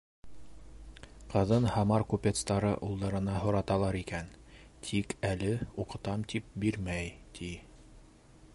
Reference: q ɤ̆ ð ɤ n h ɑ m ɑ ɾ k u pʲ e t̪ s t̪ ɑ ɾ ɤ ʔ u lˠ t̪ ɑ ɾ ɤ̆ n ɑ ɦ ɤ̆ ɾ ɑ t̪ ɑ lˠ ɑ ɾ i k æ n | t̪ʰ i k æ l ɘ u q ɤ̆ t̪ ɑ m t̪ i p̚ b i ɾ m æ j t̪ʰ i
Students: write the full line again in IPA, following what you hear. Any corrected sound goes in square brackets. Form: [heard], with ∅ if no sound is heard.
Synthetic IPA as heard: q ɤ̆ ð ɤ n h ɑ m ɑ ɾ k u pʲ e t̪ s t̪ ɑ ɾ ɤ ʔ u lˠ [d̪] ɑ ɾ ɤ̆ n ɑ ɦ [ŏ] ɾ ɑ t̪ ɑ lˠ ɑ ɾ i k æ n | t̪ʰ i k æ l ɘ u q ɤ̆ t̪ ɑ m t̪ i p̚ b i ɾ m æ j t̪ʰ i